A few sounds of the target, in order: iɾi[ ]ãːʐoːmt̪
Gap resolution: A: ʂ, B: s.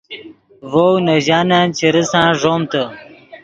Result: B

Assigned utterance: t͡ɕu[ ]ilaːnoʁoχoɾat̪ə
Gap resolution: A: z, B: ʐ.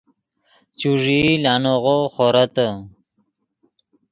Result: B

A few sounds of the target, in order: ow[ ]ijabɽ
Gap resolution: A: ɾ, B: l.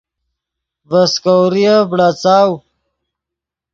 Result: A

